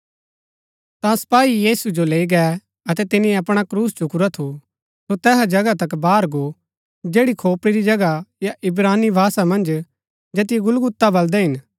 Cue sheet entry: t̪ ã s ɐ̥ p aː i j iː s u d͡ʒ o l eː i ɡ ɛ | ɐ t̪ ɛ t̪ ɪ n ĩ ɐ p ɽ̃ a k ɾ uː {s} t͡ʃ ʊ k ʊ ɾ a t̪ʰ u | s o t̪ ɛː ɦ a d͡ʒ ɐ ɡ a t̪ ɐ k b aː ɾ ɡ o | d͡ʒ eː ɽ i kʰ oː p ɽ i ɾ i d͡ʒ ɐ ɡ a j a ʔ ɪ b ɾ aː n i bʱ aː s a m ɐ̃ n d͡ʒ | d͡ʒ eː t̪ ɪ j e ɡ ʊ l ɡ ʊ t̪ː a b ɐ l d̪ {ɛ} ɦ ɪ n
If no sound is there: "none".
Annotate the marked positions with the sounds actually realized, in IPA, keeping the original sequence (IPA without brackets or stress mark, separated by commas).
s, ɛ